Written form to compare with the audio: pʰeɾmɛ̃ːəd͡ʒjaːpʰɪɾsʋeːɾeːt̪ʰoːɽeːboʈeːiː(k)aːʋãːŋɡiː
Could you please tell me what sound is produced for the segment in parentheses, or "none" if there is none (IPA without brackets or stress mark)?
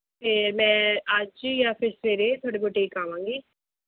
k